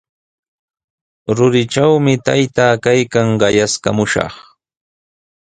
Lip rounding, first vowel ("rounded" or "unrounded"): rounded